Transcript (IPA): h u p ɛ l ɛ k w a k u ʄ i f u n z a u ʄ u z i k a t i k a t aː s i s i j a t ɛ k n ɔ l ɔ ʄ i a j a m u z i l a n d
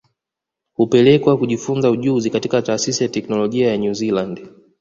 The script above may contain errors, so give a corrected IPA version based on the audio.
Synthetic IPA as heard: h u p ɛ l ɛ k w a k u ʄ i f u n z a u ʄ u z i k a t i k a t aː s i s i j a t ɛ k n ɔ l ɔ ʄ i a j a ɲ u z i l a n d